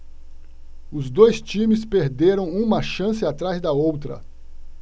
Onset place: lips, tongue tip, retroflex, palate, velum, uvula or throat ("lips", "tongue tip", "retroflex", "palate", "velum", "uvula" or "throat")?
tongue tip